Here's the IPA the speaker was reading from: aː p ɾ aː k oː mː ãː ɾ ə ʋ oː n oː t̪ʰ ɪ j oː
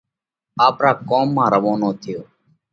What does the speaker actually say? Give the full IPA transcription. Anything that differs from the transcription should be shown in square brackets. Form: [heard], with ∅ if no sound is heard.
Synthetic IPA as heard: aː p ɾ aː k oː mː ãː ɾ ə ʋ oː n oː t̪ʰ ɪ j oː